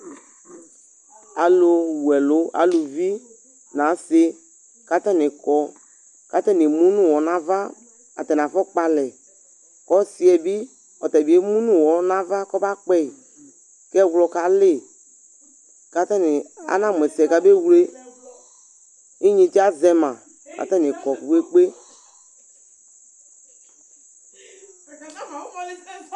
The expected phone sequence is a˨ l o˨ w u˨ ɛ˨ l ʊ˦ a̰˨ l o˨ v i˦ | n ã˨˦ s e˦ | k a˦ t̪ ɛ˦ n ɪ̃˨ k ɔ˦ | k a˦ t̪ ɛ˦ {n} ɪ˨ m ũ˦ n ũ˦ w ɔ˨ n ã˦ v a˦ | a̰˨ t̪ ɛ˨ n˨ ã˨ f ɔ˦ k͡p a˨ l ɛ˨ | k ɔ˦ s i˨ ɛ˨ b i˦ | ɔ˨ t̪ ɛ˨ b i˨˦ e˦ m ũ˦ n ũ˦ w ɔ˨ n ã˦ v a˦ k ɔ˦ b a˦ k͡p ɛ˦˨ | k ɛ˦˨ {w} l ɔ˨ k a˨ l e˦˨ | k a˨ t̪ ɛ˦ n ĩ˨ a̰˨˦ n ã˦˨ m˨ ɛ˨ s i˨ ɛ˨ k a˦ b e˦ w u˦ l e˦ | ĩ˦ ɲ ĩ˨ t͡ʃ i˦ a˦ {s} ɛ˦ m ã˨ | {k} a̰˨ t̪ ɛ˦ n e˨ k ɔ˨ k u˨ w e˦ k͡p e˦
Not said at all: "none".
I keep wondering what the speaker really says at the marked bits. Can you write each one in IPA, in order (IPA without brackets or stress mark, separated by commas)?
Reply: n, w, z, k